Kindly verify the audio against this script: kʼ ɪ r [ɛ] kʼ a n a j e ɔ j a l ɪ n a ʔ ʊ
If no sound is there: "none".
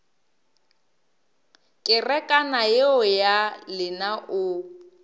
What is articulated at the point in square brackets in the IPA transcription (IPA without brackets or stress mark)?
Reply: ɛ